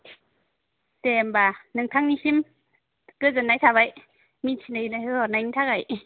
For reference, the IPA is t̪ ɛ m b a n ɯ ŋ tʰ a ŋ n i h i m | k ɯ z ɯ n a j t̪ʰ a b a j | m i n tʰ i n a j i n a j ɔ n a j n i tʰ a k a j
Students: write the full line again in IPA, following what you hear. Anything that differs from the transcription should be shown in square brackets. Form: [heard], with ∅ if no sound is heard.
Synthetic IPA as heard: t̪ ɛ m b a n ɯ ŋ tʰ a ŋ n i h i m | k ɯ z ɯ n a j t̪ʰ a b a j | m i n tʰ i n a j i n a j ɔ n a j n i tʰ a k a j